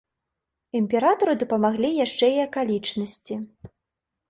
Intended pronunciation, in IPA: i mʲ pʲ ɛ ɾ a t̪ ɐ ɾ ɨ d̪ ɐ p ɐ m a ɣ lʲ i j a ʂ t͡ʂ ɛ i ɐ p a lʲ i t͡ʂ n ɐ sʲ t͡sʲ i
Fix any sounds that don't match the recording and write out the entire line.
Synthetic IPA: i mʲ pʲ ɛ ɾ a t̪ ɐ ɾ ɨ d̪ ɐ p ɐ m a ɣ lʲ i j a ʂ t͡ʂ ɛ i ɐ k a lʲ i t͡ʂ n ɐ sʲ t͡sʲ i

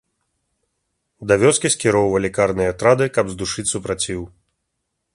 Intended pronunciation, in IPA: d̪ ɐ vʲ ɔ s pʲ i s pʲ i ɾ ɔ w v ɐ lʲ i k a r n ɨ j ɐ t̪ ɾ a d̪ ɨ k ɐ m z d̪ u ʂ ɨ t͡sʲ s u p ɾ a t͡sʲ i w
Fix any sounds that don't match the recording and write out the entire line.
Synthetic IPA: d̪ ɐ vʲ ɔ s kʲ i s kʲ i ɾ ɔ w v ɐ lʲ i k a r n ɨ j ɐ t̪ ɾ a d̪ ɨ k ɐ b z d̪ u ʂ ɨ t͡sʲ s u p ɾ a t͡sʲ i w

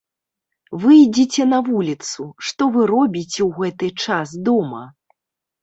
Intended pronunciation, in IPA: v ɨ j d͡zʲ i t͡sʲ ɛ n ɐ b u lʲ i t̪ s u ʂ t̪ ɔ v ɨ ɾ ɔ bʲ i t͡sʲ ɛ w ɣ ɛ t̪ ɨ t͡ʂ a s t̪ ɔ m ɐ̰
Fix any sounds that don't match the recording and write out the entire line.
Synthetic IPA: v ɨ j d͡zʲ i t͡sʲ ɛ n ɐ v u lʲ i t̪ s u ʂ t̪ ɔ v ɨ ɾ ɔ bʲ i t͡sʲ ɛ w ɣ ɛ t̪ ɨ t͡ʂ a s d̪ ɔ m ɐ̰

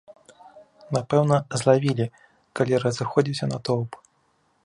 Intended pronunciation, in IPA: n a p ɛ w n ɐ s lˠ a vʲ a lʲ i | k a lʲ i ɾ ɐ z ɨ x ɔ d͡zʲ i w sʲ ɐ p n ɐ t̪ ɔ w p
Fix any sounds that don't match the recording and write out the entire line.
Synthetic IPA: n a p ɛ w n ɐ z lˠ a vʲ i lʲ i | k a lʲ i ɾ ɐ z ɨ x ɔ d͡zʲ i w sʲ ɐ n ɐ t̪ ɔ w p

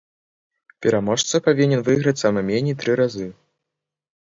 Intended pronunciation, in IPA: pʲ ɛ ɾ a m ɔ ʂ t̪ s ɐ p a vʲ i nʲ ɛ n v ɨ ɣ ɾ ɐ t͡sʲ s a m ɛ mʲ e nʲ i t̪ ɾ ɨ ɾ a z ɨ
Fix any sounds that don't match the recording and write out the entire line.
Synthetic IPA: pʲ ɛ ɾ a m ɔ ʂ t̪ s ɐ p a vʲ i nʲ ɛ n v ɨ ɣ ɾ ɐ t͡sʲ s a m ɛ mʲ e nʲ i t̪ ɾ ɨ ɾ a z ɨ

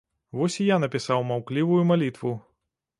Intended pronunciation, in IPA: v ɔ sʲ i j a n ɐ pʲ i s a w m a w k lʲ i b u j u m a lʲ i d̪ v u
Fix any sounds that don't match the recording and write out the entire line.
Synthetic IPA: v ɔ sʲ i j a n ɐ pʲ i s a w m a w k lʲ i v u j u m a lʲ i t̪ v u

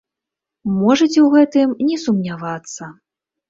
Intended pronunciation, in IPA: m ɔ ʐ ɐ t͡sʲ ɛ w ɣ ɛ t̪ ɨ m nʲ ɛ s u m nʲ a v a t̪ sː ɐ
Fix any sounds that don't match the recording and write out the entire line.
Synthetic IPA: m ɔ ʐ ɐ t͡sʲ ɛ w ɣ ɛ t̪ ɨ m nʲ ɛ s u m nʲ a v a t̪ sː ɐ

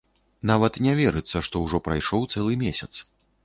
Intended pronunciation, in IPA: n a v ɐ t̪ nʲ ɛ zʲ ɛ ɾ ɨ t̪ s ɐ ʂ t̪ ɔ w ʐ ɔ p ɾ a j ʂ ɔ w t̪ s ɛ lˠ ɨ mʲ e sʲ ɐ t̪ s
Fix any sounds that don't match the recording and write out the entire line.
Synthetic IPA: n a v ɐ t̪ nʲ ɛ vʲ ɛ ɾ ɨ t̪ sː ɐ ʂ t̪ ɔ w ʐ ɔ p ɾ a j ʂ ɔ w t̪ s ɛ lˠ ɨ mʲ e sʲ ɐ t̪ s

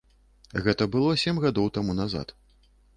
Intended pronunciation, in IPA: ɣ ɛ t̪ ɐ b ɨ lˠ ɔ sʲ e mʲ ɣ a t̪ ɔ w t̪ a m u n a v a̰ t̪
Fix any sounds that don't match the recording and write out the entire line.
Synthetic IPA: ɣ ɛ t̪ ɐ b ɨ lˠ ɔ sʲ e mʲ ɣ a d̪ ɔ w t̪ a m u n a z a̰ t̪

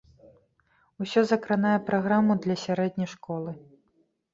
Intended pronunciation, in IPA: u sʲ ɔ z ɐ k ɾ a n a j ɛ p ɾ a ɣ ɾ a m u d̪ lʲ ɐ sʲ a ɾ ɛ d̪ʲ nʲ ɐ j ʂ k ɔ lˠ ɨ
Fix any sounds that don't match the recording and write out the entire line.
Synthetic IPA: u sʲ ɔ z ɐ k ɾ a n a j ɛ p ɾ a ɣ ɾ a m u d̪ lʲ ɐ sʲ a ɾ ɛ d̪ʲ nʲ ɐ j ʂ k ɔ lˠ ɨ

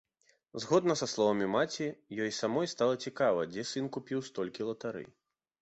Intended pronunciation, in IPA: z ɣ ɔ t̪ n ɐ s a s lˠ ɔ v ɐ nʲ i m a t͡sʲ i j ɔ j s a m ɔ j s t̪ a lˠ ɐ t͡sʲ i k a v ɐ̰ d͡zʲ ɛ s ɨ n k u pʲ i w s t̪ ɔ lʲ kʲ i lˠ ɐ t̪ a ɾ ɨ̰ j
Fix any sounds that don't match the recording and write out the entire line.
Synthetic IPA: z ɣ ɔ d̪ n ɐ s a s lˠ ɔ v ɐ mʲ i m a t͡sʲ i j ɔ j s a m ɔ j s t̪ a lˠ ɐ t͡sʲ i k a v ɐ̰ d͡zʲ ɛ s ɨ n k u pʲ i w s t̪ ɔ lʲ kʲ i lˠ ɐ t̪ a ɾ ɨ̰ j

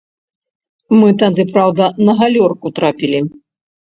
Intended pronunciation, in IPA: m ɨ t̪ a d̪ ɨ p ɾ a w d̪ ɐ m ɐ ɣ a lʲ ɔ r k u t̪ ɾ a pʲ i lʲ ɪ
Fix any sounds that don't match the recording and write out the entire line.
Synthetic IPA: m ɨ t̪ a d̪ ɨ p ɾ a w d̪ ɐ n ɐ ɣ a lʲ ɔ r k u t̪ ɾ a pʲ i lʲ i

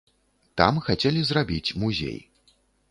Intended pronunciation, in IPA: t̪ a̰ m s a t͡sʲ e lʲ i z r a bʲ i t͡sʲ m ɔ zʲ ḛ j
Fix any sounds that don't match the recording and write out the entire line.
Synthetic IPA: t̪ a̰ m x a t͡sʲ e lʲ i z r a bʲ i t͡sʲ m u zʲ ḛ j

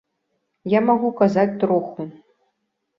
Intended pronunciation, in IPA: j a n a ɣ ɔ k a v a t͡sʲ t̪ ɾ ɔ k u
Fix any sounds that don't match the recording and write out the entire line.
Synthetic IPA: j a m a ɣ u k a z a t͡sʲ t̪ ɾ ɔ x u

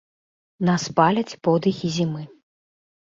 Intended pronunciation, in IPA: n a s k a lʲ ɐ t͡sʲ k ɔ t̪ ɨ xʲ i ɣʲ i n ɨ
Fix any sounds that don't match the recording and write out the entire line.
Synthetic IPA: n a s p a lʲ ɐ t͡sʲ p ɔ d̪ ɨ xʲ i zʲ i m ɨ

